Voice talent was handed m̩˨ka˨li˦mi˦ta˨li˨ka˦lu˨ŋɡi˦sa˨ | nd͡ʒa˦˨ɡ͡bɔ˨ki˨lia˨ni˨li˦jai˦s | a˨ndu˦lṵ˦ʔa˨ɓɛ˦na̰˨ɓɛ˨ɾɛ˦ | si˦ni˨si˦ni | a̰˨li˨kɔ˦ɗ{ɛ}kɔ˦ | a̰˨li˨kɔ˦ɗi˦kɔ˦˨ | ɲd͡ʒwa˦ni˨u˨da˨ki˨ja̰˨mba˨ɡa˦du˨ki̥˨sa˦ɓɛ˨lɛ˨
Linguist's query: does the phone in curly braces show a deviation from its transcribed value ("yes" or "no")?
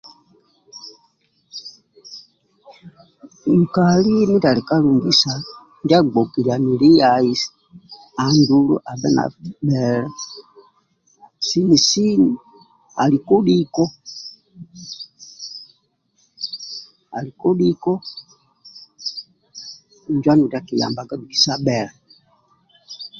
yes